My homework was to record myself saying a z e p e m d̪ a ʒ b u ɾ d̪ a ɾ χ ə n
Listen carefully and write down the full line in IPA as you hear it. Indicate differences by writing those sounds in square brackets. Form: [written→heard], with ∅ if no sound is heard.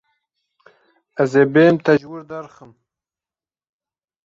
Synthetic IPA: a z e [p→b] e m [d̪→t̪] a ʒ [b→w] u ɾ d̪ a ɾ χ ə [n→m]